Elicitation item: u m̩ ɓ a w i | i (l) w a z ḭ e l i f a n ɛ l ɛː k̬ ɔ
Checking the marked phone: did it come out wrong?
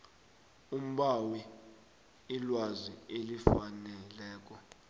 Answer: no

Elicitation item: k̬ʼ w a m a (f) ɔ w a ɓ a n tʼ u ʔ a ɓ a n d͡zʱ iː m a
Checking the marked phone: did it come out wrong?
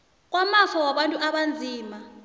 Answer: no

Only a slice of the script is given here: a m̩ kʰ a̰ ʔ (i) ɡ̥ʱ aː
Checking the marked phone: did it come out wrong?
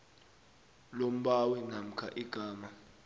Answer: no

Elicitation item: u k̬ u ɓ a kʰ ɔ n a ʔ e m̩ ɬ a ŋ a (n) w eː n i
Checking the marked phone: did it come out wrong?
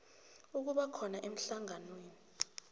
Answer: no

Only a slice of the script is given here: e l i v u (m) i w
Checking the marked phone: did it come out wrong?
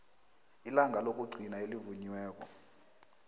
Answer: yes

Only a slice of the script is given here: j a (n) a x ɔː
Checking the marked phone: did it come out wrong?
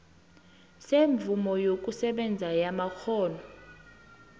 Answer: yes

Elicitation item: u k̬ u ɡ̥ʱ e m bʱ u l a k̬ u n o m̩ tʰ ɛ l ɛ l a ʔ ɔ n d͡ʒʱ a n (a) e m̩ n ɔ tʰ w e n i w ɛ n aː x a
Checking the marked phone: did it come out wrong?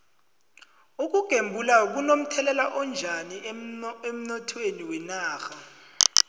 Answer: yes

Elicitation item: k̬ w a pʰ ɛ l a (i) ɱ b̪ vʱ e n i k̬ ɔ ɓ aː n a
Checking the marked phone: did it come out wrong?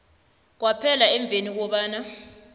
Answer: yes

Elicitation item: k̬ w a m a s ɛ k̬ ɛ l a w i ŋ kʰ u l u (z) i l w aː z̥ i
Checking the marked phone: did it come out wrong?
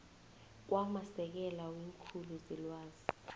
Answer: no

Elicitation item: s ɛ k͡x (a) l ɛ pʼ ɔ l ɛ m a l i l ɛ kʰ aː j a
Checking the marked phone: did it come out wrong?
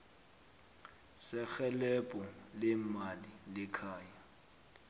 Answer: yes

